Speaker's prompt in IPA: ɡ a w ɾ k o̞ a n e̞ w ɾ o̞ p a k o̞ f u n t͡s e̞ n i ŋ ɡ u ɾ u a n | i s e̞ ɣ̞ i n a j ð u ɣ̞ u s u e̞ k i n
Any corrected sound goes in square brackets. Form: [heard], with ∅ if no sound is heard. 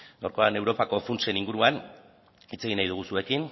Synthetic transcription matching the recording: ɡ a w ɾ k o̞ a n e̞ w ɾ o̞ p a k o̞ f u n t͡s e̞ n i ŋ ɡ u ɾ u a n | i [t͡s] e̞ ɣ̞ i n a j ð u ɣ̞ u s u e̞ k i n